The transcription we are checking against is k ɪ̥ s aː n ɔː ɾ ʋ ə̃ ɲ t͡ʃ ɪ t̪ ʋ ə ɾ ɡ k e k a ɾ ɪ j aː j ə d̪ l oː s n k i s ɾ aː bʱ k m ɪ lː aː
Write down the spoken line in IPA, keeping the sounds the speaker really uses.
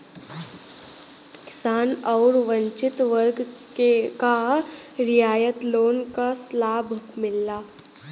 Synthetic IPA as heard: k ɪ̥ s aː n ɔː ɾ ʋ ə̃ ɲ t͡ʃ ɪ t̪ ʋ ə ɾ ɡ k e k a ɾ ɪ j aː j ə t̪ l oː n k a s l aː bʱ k m ɪ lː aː